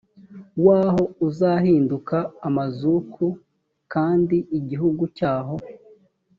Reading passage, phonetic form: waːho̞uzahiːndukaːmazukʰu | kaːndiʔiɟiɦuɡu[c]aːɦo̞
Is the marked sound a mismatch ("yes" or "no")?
no